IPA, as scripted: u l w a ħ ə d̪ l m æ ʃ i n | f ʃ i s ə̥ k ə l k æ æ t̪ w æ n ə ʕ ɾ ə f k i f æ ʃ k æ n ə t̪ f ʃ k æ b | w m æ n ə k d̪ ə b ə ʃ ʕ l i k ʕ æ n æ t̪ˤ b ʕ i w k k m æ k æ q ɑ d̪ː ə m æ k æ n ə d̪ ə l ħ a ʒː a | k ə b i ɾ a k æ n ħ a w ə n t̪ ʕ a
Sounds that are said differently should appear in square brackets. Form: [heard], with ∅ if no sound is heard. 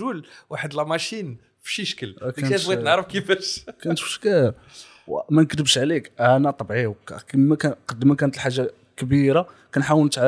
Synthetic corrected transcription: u l w a ħ ə d̪ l m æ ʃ i n | f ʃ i [ʃ] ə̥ k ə l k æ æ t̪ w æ n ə ʕ ɾ ə f k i f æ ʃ k æ n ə t̪ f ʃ k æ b | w m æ n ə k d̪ ə b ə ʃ ʕ l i k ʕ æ n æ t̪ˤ b ʕ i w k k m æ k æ q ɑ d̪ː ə m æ k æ n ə [t̪] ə l ħ a ʒː a | k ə b i ɾ a k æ n ħ a w ə n t̪ ʕ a